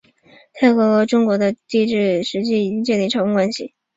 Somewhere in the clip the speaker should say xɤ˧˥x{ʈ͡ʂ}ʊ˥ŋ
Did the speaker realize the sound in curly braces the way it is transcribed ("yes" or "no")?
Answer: yes